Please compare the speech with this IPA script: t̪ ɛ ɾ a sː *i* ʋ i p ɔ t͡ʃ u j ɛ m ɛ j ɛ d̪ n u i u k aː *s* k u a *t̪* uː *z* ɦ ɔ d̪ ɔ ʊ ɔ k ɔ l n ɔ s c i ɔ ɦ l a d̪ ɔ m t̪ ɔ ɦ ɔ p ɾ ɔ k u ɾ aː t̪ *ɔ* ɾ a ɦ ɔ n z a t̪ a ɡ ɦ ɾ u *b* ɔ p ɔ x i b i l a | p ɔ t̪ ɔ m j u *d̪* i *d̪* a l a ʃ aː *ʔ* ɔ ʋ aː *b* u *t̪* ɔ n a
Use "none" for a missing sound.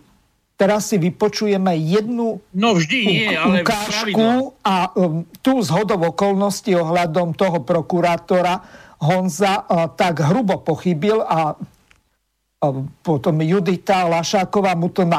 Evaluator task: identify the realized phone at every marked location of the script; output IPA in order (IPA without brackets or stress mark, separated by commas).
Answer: i, ʃ, t̪, z, ɔ, b, d̪, t̪, k, m, t̪